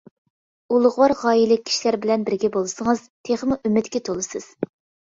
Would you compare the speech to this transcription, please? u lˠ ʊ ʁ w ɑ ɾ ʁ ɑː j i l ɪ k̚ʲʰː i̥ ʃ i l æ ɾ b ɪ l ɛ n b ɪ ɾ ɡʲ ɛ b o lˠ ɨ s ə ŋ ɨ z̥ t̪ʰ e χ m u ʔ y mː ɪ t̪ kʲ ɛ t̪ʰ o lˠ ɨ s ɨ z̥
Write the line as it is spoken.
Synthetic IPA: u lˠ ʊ ʁ w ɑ ɾ ʁ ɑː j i l ɪ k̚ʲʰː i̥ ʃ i l æ ɾ b ɪ l ɛ n b ɪ ɾ ɡʲ ɛ b o lˠ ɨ s ə ŋ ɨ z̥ t̪ʰ e χ m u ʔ y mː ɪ t̪ kʲ ɛ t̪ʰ o lˠ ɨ s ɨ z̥